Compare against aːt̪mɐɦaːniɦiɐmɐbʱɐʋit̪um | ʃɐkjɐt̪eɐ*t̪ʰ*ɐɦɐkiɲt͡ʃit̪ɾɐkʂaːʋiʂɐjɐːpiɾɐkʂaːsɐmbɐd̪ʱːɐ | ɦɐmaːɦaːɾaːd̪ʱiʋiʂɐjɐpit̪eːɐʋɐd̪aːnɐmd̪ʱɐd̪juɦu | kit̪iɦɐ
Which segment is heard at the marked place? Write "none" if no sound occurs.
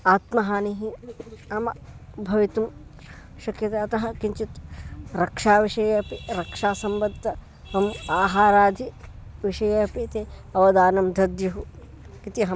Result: t̪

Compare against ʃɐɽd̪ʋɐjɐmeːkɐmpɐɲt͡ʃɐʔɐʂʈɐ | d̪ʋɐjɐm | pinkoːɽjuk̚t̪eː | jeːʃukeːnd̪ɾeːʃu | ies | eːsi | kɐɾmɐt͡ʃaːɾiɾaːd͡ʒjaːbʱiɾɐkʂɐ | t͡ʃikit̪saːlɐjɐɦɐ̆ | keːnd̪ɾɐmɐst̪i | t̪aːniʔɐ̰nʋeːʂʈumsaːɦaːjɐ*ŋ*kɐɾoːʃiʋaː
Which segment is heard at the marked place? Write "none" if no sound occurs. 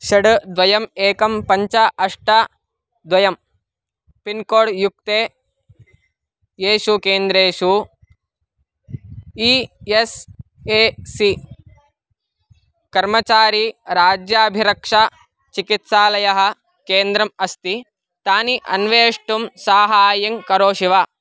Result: ŋ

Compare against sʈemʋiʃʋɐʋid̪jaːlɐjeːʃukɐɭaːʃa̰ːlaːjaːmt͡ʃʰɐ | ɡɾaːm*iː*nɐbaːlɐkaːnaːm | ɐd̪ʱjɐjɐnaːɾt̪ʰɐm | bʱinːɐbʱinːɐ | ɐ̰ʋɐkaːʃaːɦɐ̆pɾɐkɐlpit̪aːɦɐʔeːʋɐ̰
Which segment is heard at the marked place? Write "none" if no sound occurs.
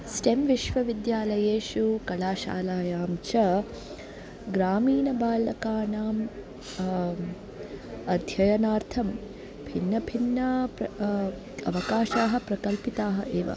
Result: iː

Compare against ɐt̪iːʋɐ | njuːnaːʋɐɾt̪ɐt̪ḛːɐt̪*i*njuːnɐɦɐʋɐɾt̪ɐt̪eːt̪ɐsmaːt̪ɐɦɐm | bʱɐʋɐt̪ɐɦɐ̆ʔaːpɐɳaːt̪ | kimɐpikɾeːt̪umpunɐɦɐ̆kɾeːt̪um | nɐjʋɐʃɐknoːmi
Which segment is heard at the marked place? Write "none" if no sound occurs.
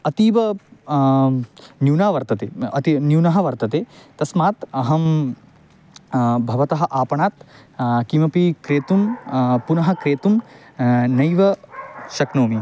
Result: i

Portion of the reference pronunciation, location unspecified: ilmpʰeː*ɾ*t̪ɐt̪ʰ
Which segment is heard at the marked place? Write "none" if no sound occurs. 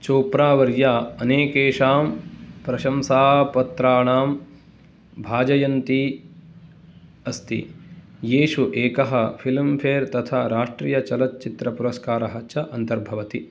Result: ɾ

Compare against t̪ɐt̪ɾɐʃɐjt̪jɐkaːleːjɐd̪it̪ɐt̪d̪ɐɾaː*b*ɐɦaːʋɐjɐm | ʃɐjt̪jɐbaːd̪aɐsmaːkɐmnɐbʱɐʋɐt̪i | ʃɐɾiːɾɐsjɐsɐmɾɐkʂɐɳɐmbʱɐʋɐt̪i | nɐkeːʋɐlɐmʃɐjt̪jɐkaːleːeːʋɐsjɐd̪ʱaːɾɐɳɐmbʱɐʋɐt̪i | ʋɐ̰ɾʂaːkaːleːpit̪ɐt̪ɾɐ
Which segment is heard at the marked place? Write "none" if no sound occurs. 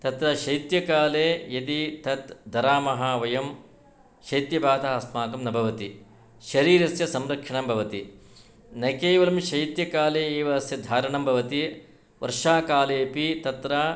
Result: m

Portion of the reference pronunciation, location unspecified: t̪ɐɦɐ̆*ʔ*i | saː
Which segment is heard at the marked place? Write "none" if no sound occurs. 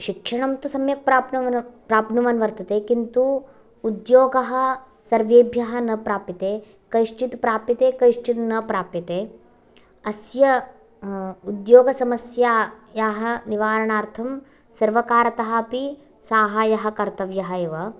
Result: p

